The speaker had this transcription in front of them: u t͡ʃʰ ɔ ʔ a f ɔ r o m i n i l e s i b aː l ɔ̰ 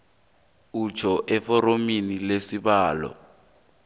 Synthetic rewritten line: u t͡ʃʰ ɔ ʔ ɛ f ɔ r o m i n i l e s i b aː l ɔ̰